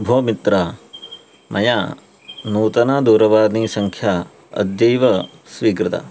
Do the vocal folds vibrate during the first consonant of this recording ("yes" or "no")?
yes